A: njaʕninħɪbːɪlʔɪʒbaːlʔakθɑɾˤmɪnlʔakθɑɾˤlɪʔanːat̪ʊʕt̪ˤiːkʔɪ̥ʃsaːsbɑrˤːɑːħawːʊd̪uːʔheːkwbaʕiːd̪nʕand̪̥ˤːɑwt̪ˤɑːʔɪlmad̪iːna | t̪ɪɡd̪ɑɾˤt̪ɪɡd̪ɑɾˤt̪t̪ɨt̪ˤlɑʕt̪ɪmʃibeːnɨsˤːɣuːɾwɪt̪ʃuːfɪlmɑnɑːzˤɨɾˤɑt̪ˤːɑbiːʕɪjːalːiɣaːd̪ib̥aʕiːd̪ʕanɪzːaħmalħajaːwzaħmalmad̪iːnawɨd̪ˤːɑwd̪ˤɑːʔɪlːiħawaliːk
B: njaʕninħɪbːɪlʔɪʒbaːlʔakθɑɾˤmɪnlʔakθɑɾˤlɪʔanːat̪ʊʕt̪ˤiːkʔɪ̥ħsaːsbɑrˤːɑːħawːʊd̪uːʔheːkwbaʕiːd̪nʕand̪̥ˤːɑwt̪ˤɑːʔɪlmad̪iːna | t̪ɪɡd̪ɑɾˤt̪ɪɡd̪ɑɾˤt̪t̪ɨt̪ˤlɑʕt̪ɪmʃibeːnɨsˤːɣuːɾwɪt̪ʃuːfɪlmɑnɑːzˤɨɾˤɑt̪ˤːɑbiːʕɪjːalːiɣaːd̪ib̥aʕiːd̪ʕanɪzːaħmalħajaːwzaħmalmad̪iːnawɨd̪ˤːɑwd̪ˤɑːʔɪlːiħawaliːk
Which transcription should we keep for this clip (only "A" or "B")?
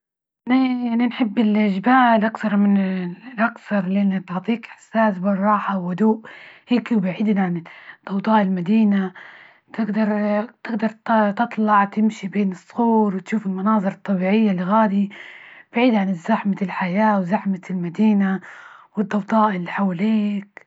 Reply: B